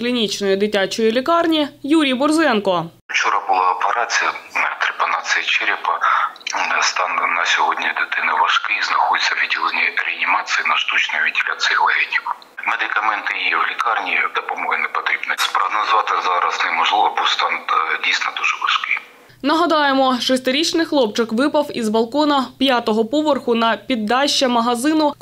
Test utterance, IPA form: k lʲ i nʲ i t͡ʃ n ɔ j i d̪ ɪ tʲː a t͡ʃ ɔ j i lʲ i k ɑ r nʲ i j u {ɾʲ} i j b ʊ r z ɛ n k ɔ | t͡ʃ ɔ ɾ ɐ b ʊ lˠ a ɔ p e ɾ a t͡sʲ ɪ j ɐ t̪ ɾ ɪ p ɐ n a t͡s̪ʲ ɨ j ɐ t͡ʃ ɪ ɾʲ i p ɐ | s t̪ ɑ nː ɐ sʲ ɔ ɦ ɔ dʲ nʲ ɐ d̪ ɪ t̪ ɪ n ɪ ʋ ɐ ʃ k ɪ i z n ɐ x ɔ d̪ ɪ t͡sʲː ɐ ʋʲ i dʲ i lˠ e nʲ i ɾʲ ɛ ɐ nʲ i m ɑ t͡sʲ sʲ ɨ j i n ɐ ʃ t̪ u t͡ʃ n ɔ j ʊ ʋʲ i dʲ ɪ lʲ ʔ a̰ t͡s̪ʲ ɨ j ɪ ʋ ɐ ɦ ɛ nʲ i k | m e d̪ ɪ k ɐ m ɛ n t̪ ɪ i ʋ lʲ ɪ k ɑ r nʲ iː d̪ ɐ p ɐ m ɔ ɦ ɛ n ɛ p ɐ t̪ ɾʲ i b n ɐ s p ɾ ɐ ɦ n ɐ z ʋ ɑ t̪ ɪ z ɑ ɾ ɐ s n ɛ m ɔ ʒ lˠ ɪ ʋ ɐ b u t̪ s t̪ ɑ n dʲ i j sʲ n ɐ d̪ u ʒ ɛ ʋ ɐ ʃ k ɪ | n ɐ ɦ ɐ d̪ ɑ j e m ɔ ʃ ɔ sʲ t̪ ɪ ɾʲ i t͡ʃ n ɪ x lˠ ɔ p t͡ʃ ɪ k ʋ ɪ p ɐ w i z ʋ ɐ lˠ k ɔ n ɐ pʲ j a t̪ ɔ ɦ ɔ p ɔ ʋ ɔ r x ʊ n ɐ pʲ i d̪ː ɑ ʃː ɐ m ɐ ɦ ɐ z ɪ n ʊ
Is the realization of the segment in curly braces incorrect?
no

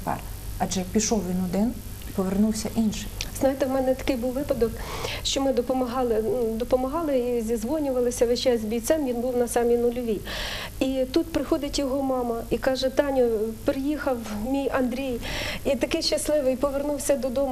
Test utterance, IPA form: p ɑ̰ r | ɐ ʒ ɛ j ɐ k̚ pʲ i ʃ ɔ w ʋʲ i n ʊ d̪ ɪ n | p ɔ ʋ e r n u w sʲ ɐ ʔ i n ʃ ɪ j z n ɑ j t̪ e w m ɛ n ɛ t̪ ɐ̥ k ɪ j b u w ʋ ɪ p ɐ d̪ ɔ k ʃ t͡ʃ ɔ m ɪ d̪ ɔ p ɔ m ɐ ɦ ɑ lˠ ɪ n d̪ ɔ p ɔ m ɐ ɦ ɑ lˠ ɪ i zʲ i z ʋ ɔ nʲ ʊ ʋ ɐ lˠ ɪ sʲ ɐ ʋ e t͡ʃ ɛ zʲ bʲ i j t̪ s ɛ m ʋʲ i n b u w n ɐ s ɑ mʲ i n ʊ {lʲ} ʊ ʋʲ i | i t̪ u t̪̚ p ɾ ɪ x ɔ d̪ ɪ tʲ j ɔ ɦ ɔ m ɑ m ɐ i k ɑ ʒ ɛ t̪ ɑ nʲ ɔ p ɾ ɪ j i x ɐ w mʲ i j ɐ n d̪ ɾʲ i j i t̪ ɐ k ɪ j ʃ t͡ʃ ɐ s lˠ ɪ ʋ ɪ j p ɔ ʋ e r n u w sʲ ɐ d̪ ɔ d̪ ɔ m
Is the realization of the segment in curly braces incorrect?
no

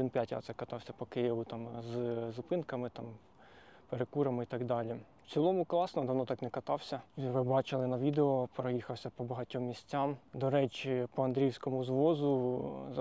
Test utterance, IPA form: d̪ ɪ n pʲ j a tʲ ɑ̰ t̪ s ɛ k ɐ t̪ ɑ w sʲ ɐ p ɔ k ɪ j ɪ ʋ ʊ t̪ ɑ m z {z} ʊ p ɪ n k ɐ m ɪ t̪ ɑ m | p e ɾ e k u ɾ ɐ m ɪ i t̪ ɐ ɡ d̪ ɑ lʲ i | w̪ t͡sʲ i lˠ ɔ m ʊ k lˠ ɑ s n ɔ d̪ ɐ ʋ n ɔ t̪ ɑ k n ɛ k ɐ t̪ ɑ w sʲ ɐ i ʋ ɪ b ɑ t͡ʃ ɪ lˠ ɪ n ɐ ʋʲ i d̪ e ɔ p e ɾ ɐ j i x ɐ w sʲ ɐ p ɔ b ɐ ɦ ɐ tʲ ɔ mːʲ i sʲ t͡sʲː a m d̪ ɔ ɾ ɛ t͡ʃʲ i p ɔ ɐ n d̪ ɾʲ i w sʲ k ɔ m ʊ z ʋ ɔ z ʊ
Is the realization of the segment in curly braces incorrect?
no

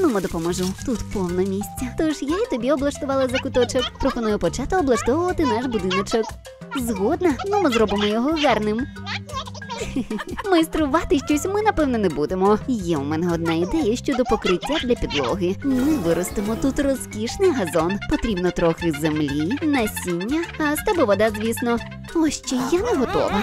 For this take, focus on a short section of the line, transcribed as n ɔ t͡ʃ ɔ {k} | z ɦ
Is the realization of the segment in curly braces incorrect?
no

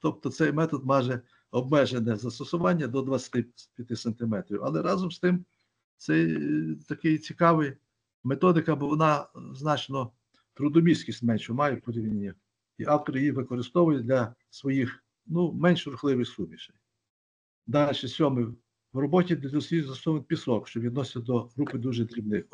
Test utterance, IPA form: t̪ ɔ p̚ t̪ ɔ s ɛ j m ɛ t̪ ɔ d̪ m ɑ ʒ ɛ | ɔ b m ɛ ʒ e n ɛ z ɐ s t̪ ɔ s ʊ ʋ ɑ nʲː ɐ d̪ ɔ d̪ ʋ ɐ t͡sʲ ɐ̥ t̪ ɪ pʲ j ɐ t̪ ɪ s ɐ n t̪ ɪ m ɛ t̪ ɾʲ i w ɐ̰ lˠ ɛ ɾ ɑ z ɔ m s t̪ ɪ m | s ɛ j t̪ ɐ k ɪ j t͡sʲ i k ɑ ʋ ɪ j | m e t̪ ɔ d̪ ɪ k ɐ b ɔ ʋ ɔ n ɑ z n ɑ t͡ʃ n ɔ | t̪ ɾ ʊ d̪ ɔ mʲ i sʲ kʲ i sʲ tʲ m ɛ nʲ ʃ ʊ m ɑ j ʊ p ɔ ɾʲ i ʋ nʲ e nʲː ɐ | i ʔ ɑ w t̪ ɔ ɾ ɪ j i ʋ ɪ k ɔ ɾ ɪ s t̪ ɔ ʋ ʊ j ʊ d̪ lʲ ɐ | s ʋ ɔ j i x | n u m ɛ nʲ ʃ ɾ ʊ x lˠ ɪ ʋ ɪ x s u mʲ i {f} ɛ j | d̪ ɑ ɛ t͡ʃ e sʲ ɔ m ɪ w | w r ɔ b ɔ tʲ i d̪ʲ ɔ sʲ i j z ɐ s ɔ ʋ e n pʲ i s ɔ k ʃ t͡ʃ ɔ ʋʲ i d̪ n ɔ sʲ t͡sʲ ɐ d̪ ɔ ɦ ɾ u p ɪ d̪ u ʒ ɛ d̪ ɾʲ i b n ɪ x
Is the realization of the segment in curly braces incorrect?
yes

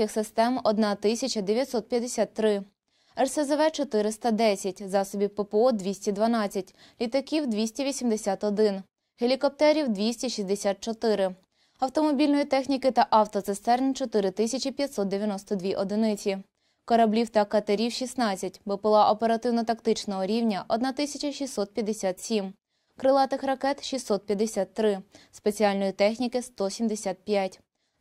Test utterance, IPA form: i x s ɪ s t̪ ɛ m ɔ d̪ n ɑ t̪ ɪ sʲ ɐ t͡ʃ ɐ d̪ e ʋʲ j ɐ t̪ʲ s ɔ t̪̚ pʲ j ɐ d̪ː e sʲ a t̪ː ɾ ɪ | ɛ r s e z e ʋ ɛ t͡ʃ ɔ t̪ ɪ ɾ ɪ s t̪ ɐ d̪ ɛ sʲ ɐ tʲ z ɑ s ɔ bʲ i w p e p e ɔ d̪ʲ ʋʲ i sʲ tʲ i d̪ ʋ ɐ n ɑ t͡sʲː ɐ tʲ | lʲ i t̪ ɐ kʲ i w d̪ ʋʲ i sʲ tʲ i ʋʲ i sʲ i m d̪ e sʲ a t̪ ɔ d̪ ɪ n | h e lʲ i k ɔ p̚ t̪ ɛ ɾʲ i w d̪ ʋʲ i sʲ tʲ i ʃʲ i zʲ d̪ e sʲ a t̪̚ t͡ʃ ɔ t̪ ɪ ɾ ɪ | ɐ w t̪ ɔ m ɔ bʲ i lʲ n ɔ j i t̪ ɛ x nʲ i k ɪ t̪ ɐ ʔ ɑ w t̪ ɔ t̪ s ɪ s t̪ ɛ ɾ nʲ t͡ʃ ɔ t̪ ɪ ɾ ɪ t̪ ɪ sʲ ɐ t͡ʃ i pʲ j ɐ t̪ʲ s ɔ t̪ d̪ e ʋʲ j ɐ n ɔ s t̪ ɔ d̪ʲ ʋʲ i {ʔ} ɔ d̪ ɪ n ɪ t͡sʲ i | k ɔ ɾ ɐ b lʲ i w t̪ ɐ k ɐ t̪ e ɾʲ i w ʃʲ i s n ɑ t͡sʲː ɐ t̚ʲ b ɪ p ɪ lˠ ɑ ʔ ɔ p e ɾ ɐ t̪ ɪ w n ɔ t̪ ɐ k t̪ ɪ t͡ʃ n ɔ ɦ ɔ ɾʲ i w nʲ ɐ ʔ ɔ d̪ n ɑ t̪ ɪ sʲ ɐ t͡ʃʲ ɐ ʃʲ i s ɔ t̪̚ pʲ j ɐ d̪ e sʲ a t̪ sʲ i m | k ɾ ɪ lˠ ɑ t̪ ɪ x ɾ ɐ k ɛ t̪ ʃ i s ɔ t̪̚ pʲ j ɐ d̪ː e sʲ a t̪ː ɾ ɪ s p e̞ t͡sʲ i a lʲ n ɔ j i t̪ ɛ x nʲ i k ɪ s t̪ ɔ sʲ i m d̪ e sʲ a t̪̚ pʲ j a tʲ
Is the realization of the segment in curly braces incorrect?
no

